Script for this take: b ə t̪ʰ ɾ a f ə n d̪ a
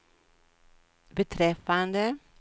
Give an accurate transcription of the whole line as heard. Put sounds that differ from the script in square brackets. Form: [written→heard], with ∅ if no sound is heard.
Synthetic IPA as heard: b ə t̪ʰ ɾ [a→ɛ] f [ə→a] n d̪ [a→ə]

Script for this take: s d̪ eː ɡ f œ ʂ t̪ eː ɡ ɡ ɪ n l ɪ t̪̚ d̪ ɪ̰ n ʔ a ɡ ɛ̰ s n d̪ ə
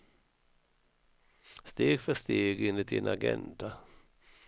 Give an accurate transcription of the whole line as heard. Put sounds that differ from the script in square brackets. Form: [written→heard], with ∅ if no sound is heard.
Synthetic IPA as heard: s [d̪→t̪] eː ɡ f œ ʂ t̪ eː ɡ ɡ ɪ n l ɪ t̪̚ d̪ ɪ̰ n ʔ a ɡ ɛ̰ [s→∅] n d̪ [ə→a]

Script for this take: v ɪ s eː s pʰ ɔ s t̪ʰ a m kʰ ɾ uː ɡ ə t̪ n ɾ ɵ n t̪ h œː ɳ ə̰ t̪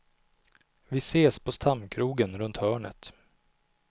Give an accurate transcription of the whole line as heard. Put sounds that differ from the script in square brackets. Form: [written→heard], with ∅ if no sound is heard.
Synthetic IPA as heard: v ɪ s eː s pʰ ɔ s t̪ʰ a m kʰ ɾ uː ɡ ə [t̪→∅] n ɾ ɵ n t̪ h œː ɳ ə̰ t̪

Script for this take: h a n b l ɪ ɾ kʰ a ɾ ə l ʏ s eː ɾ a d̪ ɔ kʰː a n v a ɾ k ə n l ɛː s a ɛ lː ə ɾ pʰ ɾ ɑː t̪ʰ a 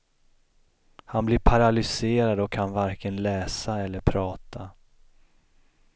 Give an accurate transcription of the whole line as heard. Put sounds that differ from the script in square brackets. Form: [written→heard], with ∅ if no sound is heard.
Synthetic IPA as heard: h a n b l ɪ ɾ [kʰ→pʰ] a ɾ [ə→a] l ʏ s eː ɾ a d̪ ɔ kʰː a n v a ɾ k ə n l ɛː s a ɛ lː ə ɾ pʰ ɾ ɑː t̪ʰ a

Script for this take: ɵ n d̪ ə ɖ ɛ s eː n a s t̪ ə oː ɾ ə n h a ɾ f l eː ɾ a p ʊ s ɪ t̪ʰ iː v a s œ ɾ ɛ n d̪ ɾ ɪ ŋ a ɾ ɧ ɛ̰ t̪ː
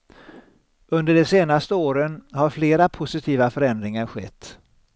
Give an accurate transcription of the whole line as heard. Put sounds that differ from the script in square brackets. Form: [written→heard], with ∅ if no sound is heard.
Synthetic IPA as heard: ɵ n d̪ ə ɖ ɛ s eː n a s t̪ ə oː ɾ ə n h a ɾ f l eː ɾ a [p→pʰ] ʊ s ɪ t̪ʰ iː v a [s→f] œ ɾ ɛ n d̪ ɾ ɪ ŋ a ɾ ɧ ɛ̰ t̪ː

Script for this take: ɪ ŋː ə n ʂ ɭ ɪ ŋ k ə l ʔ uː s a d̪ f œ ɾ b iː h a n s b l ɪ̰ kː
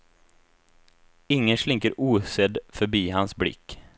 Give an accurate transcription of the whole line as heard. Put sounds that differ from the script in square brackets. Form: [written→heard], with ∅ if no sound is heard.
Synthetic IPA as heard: ɪ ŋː ə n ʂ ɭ ɪ ŋ k ə [l→ɾ] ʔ uː s [a→ɛ] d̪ f œ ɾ b iː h a n s b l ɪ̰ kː

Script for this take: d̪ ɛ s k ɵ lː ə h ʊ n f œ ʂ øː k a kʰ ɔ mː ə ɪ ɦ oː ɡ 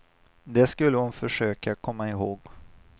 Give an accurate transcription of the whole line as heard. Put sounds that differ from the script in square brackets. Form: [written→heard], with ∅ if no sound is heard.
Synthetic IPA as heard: d̪ ɛ s k ɵ lː ə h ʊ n f œ ʂ øː k a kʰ ɔ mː [ə→a] ɪ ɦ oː ɡ

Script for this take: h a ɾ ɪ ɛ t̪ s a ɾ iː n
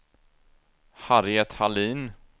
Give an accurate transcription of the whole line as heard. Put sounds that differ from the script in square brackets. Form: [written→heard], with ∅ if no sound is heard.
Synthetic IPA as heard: h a ɾ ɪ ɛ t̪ [s→h] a [ɾ→l] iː n

